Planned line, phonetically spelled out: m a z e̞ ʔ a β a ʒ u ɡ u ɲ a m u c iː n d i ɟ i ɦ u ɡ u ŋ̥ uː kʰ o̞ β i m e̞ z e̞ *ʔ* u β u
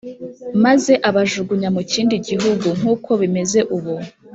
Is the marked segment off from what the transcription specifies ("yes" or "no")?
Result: no